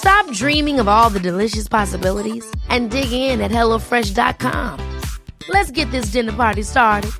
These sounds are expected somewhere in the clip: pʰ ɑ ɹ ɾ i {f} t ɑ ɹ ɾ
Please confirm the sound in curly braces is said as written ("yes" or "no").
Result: no